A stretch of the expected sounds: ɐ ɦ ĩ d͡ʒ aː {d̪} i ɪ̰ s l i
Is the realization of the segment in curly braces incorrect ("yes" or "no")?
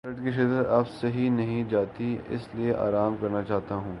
yes